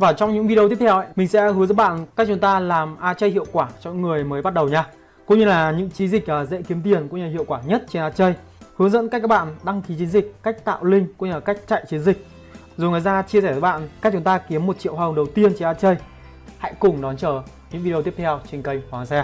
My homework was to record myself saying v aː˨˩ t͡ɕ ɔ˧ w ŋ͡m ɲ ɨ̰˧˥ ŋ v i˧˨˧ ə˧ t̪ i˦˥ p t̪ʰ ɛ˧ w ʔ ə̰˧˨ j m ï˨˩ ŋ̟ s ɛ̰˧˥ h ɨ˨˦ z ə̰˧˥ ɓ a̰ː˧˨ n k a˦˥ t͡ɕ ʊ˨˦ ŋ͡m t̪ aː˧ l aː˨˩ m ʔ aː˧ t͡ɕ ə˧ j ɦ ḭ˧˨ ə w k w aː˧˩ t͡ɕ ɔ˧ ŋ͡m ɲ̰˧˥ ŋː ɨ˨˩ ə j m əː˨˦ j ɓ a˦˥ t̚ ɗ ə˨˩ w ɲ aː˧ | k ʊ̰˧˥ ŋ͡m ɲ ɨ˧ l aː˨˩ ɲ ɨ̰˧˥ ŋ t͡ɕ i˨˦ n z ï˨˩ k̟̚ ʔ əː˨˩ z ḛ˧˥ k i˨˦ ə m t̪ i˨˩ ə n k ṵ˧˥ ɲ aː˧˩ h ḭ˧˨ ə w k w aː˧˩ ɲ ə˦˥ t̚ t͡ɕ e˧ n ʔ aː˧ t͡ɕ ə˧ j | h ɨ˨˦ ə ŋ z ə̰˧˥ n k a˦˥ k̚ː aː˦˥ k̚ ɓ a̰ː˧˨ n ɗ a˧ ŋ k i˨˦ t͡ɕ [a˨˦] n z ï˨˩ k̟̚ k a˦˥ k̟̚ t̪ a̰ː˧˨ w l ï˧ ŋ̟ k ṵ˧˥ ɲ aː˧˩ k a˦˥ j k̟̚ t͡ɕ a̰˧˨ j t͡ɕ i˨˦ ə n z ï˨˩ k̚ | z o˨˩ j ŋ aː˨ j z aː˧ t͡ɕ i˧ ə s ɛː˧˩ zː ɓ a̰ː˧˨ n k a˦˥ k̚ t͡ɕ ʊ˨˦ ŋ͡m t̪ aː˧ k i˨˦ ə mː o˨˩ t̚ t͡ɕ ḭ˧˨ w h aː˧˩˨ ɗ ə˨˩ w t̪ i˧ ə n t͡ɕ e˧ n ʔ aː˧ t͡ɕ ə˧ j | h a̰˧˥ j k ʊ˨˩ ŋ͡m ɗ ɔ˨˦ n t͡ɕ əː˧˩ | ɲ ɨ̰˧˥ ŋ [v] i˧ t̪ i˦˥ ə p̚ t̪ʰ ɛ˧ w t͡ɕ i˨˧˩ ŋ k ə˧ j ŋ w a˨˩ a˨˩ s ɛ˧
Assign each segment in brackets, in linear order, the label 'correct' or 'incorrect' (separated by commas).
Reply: incorrect, correct